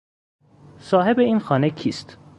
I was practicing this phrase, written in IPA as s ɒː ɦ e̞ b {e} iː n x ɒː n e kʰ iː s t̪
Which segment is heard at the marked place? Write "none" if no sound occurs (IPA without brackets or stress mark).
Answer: e